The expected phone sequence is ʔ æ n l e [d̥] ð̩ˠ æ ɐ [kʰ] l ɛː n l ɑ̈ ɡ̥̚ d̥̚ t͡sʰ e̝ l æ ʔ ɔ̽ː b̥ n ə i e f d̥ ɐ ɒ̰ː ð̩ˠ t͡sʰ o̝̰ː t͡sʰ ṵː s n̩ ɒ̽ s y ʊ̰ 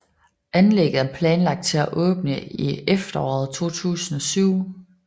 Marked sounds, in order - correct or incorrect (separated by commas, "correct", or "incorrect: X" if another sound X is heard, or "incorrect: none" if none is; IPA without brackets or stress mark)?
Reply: incorrect: ɡ̥, incorrect: pʰ